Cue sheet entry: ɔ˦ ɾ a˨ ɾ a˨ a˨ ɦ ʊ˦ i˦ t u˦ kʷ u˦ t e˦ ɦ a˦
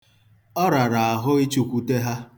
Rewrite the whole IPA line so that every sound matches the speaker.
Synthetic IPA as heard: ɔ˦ ɾ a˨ ɾ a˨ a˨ ɦ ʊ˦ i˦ t͡ʃ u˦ kʷ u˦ t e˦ ɦ a˦